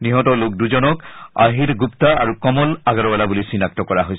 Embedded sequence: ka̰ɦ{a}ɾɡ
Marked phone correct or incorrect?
incorrect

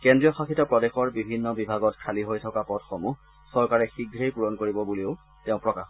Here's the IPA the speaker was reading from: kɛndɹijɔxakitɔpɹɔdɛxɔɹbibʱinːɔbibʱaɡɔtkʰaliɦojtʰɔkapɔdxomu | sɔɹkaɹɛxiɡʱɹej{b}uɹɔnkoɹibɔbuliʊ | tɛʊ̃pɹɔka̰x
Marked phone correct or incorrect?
incorrect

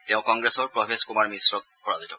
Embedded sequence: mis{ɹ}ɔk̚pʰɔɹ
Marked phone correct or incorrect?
correct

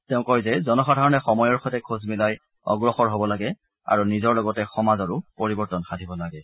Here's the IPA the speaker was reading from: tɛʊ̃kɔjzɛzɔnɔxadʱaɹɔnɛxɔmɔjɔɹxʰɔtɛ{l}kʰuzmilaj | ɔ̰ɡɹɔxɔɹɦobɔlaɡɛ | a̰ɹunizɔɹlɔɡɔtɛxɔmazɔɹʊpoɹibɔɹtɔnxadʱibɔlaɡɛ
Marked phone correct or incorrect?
incorrect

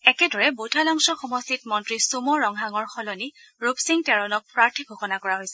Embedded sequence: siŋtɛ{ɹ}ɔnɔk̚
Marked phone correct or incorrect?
correct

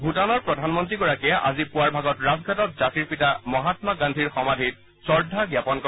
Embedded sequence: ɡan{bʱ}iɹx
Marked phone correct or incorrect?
incorrect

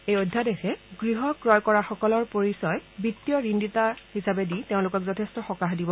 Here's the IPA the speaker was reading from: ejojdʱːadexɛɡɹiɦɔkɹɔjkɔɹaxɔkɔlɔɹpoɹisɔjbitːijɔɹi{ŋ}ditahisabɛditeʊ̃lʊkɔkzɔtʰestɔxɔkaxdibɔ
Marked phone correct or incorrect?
incorrect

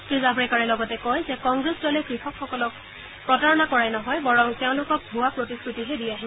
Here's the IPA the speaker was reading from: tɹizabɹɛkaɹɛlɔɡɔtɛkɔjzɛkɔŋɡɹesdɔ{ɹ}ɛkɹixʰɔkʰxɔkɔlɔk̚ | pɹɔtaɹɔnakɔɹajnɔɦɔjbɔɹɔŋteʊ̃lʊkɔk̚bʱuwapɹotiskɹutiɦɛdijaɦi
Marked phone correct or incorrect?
incorrect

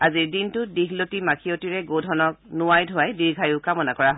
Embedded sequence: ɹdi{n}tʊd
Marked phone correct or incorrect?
correct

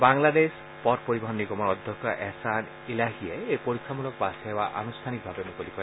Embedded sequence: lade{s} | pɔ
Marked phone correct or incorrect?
correct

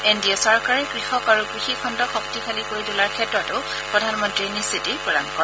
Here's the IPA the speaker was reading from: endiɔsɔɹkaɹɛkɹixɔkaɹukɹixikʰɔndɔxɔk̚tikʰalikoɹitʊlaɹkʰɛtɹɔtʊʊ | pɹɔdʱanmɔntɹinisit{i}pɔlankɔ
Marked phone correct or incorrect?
correct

